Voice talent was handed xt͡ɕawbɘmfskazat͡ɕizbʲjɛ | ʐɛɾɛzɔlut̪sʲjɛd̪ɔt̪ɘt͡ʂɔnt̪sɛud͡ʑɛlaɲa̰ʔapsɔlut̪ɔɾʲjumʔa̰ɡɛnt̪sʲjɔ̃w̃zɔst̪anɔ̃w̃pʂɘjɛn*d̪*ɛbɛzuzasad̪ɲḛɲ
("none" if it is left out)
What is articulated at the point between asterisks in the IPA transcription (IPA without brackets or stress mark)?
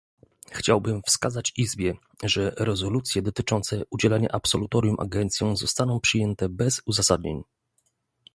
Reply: t̪